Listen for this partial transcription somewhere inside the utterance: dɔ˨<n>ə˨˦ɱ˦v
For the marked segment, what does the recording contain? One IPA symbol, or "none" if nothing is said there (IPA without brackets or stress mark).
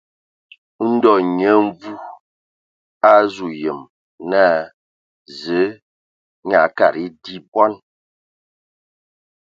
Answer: ɲ